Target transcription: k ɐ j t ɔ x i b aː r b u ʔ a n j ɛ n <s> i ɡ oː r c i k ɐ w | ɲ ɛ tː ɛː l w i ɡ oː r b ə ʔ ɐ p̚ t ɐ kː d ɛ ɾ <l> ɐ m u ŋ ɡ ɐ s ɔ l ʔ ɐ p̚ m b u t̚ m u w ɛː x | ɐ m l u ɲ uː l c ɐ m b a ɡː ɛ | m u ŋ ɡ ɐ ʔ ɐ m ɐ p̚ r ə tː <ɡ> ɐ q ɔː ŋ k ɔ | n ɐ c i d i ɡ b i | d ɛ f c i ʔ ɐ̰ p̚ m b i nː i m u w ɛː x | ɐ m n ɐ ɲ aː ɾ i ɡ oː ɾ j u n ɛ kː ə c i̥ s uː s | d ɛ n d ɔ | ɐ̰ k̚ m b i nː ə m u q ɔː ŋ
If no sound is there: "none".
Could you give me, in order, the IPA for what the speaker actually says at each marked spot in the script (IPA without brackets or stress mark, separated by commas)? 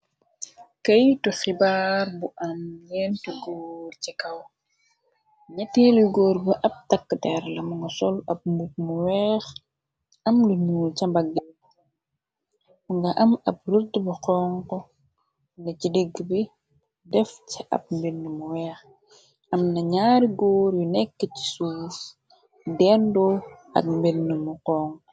t, l, b